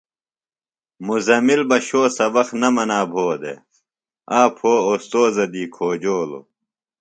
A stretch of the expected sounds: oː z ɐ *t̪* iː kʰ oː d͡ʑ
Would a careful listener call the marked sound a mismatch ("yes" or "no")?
yes